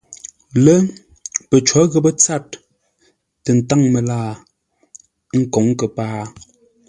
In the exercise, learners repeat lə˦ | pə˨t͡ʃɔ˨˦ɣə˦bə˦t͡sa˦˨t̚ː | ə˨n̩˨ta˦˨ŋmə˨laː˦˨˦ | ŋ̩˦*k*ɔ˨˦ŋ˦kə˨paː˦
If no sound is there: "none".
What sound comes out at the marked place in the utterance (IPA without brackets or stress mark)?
k